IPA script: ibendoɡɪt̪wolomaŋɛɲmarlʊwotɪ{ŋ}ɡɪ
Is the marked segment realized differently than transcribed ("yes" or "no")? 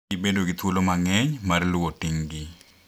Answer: no